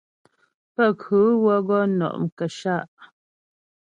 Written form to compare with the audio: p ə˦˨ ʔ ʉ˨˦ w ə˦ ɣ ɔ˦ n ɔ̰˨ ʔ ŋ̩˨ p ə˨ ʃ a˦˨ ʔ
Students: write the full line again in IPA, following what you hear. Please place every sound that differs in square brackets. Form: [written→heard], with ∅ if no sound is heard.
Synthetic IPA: p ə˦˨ [ʔ→k] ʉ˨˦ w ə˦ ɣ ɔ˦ n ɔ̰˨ ʔ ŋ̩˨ [p→k] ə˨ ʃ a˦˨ ʔ